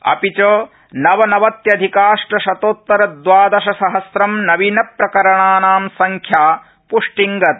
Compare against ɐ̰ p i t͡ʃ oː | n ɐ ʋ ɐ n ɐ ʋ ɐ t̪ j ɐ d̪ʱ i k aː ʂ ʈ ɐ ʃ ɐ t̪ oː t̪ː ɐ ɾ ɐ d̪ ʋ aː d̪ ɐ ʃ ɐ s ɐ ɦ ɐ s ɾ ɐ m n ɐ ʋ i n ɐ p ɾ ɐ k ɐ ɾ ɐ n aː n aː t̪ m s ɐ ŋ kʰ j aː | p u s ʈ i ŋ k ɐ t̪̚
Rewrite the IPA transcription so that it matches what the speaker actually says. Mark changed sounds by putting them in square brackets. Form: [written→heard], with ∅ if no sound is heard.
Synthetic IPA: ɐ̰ p i t͡ʃ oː | n ɐ ʋ ɐ n ɐ ʋ ɐ t̪ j ɐ d̪ʱ i k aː ʂ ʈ ɐ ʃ ɐ t̪ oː t̪ː ɐ ɾ ɐ d̪ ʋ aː d̪ ɐ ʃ ɐ s ɐ ɦ ɐ s ɾ ɐ m n ɐ ʋ i n ɐ p ɾ ɐ k ɐ ɾ ɐ [n→ɳ] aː n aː [t̪→∅] m s ɐ ŋ kʰ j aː | p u [s→ʂ] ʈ i ŋ [k→ɡ] ɐ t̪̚